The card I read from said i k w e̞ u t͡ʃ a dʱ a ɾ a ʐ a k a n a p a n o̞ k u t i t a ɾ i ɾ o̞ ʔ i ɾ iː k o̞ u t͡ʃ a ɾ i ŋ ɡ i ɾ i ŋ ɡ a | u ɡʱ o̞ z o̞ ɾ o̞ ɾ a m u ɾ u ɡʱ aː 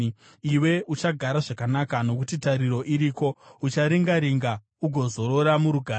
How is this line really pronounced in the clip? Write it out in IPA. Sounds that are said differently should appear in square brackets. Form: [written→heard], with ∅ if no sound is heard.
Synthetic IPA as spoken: i [k→∅] w e̞ u t͡ʃ a [dʱ→ɡʱ] a ɾ a ʐ a k a n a [p→k] a n o̞ k u t i t a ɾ i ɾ o̞ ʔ i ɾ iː k o̞ u t͡ʃ a ɾ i ŋ ɡ [i→a] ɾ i ŋ ɡ a | u ɡʱ o̞ z o̞ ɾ o̞ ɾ a m u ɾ u ɡʱ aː